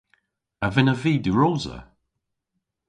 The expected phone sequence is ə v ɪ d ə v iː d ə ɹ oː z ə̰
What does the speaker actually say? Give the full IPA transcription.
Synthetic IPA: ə v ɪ n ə v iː d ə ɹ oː z ə̰